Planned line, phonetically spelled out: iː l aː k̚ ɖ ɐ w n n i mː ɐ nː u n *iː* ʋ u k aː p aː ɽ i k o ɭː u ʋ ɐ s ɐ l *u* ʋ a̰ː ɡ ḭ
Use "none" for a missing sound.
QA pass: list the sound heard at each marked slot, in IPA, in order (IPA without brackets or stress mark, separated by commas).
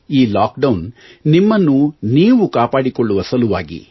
iː, u